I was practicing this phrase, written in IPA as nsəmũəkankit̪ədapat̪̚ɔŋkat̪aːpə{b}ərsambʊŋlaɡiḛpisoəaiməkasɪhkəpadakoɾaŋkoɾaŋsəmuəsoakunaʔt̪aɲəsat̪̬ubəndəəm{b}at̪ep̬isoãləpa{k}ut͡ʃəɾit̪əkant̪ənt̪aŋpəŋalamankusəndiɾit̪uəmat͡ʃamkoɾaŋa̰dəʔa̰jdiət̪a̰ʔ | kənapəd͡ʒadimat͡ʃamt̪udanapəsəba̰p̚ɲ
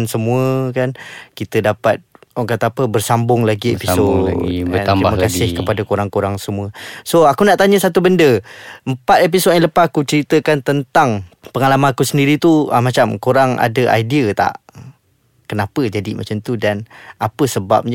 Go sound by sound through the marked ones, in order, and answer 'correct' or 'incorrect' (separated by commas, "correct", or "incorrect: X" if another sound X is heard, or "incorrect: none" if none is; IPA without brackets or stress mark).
correct, incorrect: p, correct